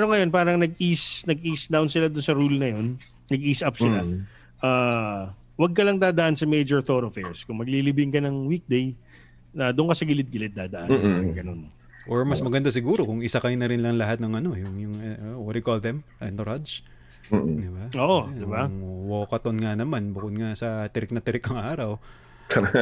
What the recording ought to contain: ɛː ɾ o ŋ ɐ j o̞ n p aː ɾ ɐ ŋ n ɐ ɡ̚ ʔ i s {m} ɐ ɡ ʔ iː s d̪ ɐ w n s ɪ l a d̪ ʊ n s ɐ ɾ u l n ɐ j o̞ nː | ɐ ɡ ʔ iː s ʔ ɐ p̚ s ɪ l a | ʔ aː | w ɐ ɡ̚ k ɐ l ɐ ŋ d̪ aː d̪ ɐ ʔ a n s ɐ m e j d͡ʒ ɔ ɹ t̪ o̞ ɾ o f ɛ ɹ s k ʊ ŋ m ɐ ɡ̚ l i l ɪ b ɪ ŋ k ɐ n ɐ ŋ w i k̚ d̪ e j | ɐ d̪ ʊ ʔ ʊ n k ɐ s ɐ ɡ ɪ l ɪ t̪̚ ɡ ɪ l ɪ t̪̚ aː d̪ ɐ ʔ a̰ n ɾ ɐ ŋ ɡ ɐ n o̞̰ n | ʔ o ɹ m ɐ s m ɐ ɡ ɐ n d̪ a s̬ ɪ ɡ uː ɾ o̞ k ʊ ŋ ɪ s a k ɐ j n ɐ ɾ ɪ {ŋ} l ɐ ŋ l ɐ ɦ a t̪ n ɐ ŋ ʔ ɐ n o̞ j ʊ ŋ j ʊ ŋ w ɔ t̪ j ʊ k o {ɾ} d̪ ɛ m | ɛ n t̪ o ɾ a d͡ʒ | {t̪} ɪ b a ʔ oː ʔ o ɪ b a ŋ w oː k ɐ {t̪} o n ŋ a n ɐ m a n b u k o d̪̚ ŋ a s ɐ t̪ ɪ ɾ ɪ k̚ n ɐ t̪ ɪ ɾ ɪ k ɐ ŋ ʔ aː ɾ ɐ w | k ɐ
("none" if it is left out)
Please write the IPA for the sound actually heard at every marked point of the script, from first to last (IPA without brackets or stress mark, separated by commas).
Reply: n, n, l, d̪, t̪